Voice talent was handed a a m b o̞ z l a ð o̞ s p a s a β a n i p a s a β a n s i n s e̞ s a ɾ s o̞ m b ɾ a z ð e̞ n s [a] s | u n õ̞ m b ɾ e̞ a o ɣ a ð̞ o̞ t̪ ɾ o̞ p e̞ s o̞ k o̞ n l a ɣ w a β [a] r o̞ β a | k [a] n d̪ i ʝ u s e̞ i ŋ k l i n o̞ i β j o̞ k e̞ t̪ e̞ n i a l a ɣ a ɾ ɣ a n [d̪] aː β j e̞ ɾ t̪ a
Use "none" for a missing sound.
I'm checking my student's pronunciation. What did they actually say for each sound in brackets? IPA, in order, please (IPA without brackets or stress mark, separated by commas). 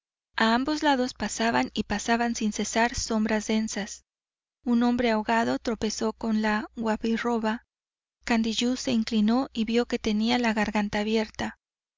a, i, a, t̪